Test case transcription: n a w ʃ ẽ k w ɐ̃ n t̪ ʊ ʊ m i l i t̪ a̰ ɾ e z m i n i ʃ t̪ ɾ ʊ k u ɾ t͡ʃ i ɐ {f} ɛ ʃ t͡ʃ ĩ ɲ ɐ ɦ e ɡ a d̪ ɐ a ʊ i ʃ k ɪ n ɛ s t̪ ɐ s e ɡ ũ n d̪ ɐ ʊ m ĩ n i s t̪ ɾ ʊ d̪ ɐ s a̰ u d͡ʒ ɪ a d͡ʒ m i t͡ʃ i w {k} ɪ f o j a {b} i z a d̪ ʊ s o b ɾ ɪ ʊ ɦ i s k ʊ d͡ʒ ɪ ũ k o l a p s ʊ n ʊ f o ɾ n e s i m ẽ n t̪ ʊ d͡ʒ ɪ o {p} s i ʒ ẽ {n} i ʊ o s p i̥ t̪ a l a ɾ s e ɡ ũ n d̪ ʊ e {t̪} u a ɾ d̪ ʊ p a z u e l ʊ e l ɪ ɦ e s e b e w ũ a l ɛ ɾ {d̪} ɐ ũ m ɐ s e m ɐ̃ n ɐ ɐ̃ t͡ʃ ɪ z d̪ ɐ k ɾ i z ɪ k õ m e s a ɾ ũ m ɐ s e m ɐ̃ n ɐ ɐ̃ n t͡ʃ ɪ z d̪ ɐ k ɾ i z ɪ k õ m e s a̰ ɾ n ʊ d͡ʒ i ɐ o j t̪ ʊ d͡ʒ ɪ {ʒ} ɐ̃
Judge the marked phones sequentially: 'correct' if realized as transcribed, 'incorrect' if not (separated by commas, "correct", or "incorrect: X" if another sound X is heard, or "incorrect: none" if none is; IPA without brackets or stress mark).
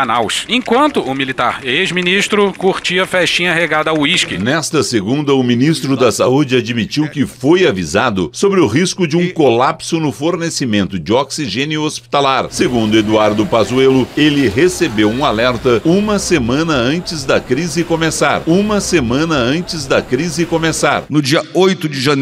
correct, correct, incorrect: v, incorrect: k, correct, incorrect: d̪, incorrect: t̪, correct